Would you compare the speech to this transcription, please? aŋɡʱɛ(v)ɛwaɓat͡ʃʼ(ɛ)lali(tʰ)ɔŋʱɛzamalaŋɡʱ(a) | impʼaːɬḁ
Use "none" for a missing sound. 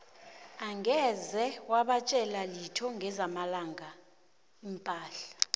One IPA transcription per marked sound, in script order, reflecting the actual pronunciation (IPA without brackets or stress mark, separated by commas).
z, ɛ, tʰ, a